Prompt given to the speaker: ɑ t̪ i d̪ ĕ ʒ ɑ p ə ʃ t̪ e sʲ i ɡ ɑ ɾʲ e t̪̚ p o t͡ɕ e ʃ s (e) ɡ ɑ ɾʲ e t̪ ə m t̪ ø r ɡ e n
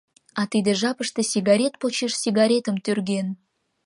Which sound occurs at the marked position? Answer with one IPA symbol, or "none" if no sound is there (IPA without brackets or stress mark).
i